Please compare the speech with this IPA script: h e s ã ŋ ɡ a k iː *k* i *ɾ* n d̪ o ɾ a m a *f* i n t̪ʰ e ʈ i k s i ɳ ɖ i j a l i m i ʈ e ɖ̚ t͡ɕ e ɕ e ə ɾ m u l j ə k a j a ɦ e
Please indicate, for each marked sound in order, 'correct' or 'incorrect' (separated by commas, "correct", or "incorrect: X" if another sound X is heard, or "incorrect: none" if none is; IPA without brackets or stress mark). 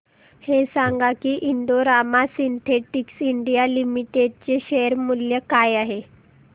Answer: incorrect: ʔ, incorrect: none, incorrect: s